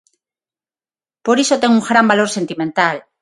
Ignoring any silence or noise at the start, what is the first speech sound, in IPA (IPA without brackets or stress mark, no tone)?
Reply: p